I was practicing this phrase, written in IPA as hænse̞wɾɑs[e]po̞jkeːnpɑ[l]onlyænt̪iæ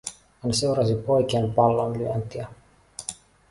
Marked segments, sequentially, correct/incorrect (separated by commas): incorrect, incorrect